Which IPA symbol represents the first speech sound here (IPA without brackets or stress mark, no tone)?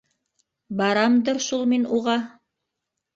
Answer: b